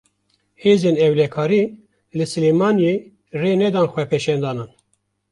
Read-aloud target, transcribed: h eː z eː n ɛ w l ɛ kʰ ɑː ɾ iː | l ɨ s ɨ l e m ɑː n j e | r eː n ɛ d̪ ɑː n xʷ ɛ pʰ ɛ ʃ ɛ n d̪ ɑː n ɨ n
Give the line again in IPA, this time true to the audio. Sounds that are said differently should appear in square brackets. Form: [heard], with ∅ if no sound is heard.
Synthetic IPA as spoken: h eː z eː n ɛ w l ɛ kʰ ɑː ɾ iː | l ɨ s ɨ l e m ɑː n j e | r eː n ɛ d̪ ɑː n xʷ ɛ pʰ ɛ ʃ ɛ n d̪ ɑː n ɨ n